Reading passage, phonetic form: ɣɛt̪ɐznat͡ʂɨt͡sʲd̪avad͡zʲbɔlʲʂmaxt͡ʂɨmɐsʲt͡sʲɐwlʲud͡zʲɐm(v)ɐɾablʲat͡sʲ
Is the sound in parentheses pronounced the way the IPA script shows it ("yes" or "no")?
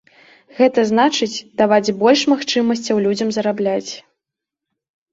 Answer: no